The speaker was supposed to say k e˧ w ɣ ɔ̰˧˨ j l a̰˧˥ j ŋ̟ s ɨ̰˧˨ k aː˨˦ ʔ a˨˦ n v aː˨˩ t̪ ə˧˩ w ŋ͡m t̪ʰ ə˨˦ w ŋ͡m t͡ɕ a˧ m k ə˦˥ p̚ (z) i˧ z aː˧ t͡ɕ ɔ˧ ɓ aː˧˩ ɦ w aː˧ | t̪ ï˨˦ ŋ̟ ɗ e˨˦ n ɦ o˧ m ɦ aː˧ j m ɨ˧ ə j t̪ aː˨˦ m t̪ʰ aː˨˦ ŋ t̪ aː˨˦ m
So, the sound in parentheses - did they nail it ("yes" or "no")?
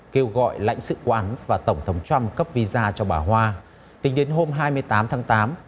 no